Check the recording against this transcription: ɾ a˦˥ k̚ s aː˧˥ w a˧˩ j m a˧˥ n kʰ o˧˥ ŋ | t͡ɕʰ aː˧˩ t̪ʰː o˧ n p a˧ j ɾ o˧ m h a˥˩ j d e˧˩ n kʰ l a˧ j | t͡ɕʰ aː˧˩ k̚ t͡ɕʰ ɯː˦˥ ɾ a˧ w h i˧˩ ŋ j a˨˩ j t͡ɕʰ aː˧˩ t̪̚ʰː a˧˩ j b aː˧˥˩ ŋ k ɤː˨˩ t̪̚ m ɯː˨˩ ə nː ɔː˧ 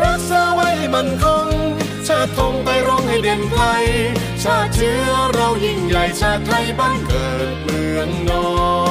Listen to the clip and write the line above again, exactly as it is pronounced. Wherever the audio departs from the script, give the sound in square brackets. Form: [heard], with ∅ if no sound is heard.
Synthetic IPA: ɾ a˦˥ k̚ s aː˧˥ w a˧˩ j m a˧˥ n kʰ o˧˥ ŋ | t͡ɕʰ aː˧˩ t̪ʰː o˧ [ŋ] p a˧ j ɾ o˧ [ŋ] h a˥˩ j d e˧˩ n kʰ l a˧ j | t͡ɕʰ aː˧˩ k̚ t͡ɕʰ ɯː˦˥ ɾ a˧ w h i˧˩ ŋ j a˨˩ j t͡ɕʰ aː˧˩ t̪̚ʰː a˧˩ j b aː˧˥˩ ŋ k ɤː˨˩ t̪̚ m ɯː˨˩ ə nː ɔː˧